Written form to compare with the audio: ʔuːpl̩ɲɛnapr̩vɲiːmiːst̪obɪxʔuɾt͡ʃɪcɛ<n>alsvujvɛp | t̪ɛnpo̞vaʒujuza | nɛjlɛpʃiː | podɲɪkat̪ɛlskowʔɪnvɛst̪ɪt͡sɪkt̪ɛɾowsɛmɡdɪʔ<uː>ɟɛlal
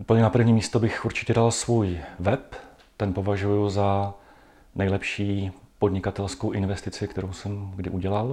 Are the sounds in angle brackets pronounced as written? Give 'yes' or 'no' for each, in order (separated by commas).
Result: no, no